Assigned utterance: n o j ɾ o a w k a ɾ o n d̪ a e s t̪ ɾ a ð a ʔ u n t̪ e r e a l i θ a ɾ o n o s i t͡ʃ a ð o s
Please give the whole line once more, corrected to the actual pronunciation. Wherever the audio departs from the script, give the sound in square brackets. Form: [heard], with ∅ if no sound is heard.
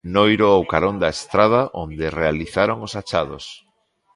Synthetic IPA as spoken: n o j ɾ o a w k a ɾ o n d̪ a e s t̪ ɾ a ð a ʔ [o] n [d̪] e r e a l i θ a ɾ o [ŋ] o s [a] t͡ʃ a ð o s